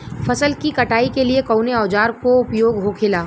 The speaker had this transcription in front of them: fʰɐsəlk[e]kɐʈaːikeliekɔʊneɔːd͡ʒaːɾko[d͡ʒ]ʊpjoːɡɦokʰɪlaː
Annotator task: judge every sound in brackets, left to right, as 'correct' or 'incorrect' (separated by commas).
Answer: incorrect, incorrect